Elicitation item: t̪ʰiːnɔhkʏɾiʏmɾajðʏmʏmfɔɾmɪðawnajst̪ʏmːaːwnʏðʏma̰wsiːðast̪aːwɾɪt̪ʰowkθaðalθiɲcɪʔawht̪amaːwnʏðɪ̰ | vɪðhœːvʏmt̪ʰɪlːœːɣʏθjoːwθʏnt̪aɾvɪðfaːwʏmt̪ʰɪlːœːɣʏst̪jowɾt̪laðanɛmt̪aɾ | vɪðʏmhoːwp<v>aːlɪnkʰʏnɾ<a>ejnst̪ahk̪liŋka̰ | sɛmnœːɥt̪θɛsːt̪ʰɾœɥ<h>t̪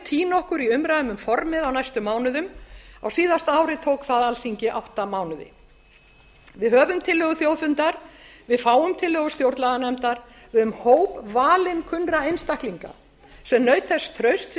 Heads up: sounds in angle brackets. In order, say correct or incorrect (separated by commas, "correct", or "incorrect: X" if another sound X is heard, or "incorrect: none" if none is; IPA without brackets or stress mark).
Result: correct, correct, incorrect: s